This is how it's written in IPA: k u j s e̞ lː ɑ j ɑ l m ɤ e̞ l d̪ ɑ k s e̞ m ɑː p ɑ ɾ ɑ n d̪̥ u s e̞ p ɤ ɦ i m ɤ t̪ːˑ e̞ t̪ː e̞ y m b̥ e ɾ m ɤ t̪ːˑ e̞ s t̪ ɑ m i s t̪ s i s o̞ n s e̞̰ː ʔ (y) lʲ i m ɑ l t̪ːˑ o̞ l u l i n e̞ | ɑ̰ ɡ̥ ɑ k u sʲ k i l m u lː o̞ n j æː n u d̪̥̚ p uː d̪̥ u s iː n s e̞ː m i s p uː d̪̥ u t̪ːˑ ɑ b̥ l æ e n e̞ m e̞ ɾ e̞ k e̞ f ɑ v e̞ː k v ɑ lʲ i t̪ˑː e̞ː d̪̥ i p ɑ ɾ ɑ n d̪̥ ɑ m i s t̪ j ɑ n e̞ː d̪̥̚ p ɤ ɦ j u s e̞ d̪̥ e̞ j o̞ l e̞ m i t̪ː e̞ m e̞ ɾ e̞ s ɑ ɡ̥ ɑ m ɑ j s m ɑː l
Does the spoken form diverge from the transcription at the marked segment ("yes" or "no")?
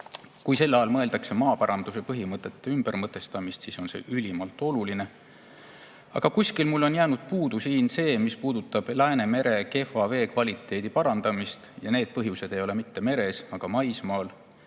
no